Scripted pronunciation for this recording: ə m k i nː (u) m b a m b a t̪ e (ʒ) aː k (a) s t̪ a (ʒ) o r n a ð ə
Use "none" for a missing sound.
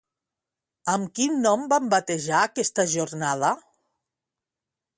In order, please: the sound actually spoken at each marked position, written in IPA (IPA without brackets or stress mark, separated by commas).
ɔ, ʒ, ɛ, ʒ